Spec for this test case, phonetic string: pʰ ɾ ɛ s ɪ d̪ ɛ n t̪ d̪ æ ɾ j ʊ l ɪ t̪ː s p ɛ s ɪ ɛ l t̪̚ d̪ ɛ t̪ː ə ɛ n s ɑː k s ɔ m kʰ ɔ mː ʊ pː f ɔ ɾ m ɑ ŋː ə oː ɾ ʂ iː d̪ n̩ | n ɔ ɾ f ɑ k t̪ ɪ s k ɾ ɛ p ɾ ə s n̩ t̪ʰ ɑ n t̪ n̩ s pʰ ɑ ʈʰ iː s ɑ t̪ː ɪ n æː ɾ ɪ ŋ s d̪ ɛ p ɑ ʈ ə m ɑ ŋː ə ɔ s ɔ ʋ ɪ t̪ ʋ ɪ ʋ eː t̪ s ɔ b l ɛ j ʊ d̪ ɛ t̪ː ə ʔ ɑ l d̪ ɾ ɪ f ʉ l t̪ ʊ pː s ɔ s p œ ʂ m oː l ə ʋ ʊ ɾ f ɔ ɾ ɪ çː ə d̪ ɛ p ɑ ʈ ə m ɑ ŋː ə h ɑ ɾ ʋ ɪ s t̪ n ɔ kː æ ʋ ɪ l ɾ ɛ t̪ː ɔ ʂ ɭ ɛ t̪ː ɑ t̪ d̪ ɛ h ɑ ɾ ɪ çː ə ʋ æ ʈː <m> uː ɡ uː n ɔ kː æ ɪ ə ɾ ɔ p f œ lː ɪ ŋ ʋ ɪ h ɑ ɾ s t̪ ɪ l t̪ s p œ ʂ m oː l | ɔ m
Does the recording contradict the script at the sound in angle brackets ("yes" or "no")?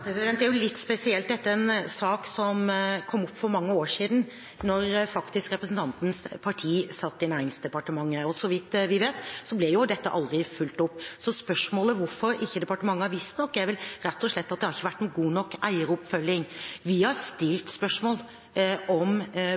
yes